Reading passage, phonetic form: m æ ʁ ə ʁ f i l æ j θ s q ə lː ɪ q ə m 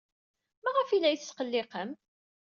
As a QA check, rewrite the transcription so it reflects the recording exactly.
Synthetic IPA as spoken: m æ ʁ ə f i l æ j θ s q ə lː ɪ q ə m